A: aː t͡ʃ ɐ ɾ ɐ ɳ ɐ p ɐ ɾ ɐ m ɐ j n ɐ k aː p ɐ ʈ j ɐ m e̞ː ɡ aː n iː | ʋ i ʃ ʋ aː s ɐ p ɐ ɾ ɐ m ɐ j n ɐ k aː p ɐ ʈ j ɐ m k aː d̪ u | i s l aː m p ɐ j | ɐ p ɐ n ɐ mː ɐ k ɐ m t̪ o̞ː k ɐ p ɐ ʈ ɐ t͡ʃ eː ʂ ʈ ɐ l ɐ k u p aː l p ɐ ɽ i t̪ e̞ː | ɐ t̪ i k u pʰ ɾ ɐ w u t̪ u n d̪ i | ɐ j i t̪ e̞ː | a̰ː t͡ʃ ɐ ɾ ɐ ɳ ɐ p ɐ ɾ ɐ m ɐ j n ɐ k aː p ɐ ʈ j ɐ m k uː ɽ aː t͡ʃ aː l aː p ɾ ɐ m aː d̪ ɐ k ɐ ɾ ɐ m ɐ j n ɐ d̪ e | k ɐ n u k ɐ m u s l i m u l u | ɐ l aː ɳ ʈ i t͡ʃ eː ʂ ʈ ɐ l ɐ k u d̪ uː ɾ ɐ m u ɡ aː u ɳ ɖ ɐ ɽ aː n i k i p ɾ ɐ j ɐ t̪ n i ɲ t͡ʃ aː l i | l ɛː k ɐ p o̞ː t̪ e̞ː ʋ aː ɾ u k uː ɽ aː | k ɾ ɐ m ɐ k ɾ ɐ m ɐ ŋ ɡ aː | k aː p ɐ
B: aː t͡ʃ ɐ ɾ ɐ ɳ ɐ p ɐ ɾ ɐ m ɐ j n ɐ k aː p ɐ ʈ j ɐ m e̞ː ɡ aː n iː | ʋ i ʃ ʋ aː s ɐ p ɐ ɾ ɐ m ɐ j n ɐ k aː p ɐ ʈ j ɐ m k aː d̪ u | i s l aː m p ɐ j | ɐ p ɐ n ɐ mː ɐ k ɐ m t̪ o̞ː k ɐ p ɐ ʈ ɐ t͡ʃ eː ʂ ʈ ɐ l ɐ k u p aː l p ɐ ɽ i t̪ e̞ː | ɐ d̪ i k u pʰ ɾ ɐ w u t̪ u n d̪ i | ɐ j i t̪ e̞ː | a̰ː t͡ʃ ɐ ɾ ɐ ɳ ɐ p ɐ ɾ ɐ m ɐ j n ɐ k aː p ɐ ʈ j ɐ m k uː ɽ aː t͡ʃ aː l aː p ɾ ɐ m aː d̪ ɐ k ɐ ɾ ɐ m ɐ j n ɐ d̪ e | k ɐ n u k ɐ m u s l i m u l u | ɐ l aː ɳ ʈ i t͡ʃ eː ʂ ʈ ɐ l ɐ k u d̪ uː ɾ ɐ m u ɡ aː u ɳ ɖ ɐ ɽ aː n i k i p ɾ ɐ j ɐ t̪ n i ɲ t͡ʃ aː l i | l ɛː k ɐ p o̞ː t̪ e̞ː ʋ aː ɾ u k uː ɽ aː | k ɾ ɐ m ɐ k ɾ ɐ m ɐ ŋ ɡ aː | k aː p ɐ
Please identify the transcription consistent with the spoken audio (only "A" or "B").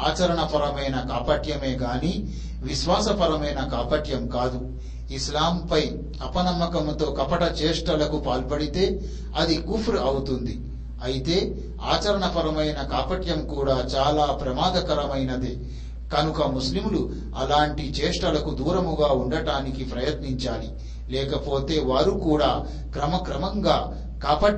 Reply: B